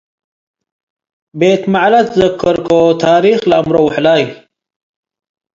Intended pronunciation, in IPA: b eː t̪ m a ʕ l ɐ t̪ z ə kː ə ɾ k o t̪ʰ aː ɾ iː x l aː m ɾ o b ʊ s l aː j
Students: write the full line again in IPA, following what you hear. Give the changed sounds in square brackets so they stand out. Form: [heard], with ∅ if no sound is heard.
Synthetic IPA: b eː t̪ m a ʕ l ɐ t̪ z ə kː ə ɾ k o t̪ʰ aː ɾ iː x l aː m ɾ o [w] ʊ [ħ] l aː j